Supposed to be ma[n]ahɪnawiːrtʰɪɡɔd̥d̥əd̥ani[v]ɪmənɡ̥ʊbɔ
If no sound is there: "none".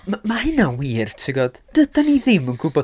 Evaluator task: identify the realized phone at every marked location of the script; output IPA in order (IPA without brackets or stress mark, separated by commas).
m, ð